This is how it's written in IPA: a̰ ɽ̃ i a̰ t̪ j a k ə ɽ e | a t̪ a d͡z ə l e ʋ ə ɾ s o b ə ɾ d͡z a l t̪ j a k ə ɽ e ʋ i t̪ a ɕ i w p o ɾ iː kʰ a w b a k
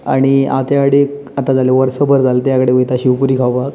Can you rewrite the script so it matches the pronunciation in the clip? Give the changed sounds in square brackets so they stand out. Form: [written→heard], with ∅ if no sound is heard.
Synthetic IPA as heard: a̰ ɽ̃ i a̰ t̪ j a k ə ɽ e | a t̪ a d͡z [ə→a] l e ʋ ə ɾ s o b ə ɾ d͡z a l t̪ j a k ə ɽ e ʋ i t̪ a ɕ i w p [o→u] ɾ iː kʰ a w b a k